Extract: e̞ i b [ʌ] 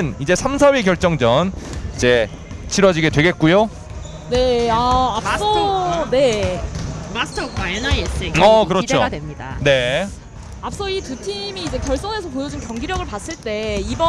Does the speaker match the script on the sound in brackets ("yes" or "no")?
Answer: yes